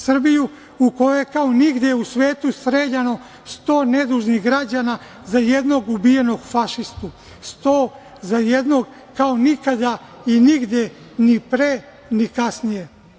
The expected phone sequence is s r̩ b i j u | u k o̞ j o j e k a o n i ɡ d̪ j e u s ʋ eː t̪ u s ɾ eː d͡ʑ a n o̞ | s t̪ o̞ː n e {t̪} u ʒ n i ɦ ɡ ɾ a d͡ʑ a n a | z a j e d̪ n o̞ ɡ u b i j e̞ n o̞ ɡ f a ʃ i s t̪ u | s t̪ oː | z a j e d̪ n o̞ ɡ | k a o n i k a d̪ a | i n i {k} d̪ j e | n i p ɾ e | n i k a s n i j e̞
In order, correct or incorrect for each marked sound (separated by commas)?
incorrect, incorrect